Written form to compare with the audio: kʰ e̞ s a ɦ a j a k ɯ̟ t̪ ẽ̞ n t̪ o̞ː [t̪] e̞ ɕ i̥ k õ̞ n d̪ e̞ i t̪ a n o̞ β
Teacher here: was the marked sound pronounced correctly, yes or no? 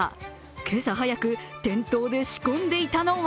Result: no